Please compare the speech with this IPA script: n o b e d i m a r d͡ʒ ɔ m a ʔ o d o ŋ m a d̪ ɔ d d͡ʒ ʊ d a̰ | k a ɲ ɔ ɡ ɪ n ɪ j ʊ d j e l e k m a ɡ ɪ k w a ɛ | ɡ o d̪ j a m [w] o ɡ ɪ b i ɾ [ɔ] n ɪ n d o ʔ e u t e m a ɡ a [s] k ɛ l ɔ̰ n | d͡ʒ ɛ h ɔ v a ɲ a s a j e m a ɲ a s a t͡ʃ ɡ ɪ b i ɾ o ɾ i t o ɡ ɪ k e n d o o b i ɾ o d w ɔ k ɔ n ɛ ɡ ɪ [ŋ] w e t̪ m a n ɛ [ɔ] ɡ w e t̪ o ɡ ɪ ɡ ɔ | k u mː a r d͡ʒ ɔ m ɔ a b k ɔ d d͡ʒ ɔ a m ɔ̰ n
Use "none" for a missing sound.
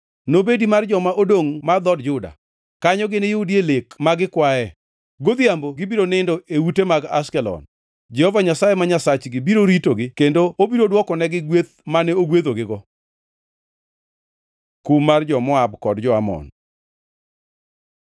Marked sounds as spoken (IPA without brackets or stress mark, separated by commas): b, o, s, ɡ, o